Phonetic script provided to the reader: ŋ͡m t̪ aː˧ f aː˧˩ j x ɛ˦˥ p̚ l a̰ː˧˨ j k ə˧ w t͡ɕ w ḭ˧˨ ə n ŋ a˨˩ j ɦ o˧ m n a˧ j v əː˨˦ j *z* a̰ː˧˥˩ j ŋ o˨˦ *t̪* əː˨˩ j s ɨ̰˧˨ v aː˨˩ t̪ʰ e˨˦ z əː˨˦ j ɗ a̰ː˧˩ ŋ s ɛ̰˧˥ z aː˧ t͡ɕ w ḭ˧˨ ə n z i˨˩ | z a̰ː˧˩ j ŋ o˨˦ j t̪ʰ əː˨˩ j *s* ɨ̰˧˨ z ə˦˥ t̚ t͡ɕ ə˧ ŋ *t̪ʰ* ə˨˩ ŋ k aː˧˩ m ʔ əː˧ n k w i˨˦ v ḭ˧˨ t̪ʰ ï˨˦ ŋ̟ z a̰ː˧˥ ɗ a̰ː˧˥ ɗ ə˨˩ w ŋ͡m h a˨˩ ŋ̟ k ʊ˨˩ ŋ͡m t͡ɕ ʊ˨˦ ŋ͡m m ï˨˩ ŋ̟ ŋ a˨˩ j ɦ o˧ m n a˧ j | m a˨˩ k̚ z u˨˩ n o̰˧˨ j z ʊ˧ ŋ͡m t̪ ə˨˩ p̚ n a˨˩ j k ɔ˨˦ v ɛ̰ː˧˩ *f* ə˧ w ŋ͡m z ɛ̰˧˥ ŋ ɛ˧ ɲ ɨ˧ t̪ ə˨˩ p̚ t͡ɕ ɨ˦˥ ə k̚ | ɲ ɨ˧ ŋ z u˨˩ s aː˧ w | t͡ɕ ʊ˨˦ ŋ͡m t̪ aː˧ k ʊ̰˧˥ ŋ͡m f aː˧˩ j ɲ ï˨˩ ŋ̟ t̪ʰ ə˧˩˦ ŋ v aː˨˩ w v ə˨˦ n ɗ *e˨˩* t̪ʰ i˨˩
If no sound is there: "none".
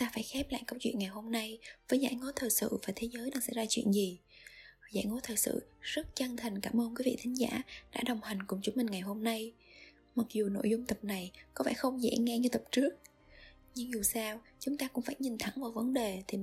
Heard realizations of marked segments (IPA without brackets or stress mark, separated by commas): z, t̪ʰ, s, t̪ʰ, x, e˨˩